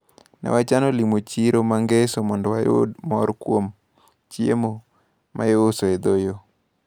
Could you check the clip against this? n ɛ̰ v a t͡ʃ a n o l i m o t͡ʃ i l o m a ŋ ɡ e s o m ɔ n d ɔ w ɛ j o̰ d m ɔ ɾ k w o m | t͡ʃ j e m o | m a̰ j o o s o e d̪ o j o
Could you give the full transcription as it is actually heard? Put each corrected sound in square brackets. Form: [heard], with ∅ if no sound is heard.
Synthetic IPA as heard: n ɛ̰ [w] a t͡ʃ a n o l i m o t͡ʃ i [ɾ] o m a ŋ ɡ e s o m ɔ n d ɔ w [a] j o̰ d m ɔ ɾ k w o m | t͡ʃ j e m o | m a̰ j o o s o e d̪ o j o